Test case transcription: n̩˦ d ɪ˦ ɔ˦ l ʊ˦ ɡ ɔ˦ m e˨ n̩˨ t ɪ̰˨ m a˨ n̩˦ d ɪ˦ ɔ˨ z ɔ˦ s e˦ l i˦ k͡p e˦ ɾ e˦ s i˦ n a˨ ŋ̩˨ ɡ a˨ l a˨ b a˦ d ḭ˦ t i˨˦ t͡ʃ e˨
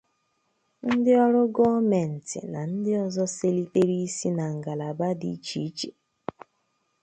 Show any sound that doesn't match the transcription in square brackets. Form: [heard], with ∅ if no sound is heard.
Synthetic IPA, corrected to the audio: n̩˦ d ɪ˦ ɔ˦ [ɾ] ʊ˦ ɡ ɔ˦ m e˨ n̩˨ t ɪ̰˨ [n] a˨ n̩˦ d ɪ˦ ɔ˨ z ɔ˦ s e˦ l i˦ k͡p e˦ ɾ [i˦] s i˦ n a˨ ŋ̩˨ ɡ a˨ l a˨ b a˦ d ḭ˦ [t͡ʃ] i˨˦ t͡ʃ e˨

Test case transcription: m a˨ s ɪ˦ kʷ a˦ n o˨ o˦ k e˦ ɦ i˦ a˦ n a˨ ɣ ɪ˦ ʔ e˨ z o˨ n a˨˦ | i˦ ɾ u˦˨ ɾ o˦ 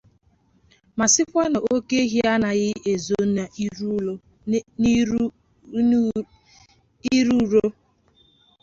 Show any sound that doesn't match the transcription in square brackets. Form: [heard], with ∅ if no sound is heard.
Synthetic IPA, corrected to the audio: m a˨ s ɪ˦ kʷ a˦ n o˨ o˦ k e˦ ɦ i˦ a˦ n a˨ ɣ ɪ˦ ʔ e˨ z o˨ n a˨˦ | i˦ ɾ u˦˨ ɾ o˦

